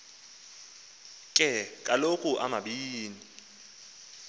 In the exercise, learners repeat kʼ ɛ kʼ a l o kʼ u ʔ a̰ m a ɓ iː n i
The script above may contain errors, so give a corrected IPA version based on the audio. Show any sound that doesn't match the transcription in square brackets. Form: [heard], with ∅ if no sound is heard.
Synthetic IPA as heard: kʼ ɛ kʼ a l o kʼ u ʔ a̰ m a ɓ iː n i